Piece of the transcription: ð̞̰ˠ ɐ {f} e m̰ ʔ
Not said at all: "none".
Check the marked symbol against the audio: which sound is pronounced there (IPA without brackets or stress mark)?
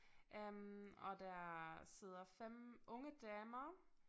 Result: f